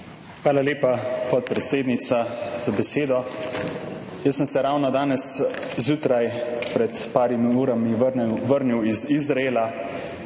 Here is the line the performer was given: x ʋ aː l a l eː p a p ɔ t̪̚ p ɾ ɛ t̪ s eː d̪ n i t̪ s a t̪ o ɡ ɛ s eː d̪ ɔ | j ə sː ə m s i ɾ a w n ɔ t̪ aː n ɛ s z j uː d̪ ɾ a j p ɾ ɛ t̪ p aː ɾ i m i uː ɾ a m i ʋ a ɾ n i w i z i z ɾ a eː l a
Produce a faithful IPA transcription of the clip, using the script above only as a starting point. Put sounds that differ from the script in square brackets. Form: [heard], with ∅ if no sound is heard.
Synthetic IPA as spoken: x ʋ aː l a l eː p a p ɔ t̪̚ p ɾ ɛ t̪ s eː d̪ n i t̪ s a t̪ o [b] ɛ s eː d̪ ɔ | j ə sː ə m s [ɛ] ɾ a w n ɔ [d̪] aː n ɛ s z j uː [t̪] ɾ a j p ɾ ɛ t̪ p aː ɾ i m i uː ɾ a m i ʋ [ə] ɾ n i w i z i z ɾ a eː l a